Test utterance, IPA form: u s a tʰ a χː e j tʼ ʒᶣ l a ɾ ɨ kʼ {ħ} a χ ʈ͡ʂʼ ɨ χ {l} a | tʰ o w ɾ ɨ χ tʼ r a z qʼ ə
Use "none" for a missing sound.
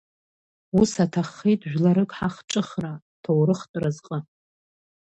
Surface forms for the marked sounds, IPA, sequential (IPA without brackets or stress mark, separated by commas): ħ, r